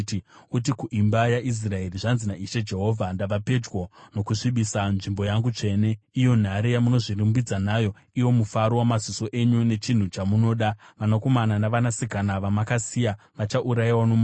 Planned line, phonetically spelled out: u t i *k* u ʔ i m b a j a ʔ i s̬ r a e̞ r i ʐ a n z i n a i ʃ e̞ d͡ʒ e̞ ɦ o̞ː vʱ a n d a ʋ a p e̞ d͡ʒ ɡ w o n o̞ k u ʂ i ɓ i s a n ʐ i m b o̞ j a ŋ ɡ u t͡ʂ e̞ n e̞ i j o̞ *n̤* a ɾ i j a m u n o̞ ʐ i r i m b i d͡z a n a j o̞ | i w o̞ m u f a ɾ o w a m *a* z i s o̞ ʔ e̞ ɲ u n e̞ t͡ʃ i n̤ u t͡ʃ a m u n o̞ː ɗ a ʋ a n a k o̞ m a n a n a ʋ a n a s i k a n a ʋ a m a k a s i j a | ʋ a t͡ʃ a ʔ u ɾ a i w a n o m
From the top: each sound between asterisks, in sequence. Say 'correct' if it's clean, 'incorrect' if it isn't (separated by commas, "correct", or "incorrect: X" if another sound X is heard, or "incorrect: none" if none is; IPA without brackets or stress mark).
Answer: correct, correct, correct